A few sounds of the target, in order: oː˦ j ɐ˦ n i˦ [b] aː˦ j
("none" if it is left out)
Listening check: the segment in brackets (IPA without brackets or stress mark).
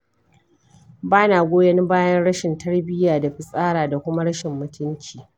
b